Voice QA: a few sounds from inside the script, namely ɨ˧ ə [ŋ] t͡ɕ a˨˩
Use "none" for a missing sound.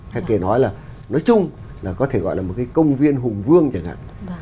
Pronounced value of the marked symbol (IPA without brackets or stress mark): ŋ